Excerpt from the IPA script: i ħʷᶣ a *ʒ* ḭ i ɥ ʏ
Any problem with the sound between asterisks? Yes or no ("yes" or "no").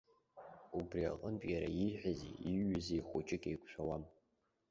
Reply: yes